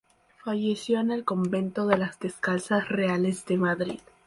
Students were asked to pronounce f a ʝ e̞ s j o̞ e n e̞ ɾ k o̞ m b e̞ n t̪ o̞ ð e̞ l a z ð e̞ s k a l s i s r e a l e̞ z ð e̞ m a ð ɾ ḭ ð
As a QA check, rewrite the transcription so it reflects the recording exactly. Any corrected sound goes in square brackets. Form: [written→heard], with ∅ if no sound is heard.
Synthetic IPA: f a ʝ e̞ s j o̞ e n e̞ [ɾ→l] k o̞ m b e̞ n t̪ o̞ ð e̞ l a z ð e̞ s k a l s [i→a] s r e a l e̞ z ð e̞ m a ð ɾ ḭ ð